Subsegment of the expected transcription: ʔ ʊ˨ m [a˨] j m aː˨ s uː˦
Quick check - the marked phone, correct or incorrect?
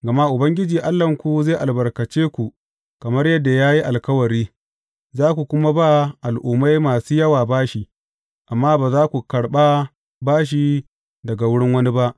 incorrect